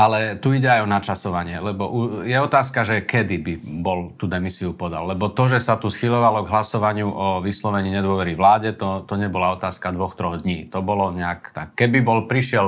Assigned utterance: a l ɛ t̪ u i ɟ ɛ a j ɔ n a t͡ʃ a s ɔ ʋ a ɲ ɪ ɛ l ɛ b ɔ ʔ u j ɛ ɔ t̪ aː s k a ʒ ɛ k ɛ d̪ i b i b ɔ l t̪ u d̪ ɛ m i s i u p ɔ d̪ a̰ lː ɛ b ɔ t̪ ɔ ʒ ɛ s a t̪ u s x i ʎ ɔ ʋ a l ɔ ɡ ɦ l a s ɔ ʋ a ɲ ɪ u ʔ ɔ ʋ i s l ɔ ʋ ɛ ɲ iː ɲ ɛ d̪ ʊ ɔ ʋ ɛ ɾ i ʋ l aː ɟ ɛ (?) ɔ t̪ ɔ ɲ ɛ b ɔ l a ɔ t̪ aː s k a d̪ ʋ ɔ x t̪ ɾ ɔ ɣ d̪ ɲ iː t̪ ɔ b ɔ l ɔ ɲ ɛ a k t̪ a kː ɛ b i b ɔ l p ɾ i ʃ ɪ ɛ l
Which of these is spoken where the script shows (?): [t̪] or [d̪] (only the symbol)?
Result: t̪